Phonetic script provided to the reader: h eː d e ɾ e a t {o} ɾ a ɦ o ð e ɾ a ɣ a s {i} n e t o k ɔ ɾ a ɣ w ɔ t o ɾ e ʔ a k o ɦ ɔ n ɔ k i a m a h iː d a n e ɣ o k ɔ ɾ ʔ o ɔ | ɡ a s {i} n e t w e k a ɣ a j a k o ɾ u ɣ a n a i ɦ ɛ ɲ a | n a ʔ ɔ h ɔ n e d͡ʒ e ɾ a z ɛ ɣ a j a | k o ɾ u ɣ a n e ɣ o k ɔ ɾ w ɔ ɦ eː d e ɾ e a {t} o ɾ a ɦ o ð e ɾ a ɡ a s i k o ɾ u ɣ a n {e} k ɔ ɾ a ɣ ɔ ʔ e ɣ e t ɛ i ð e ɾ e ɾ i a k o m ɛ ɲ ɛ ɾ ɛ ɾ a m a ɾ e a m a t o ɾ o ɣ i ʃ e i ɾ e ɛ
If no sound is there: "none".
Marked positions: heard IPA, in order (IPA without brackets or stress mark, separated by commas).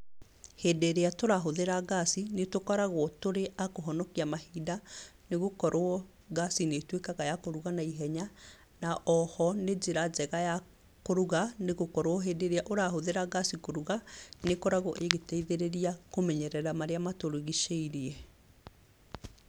o, i, i, ʔ, e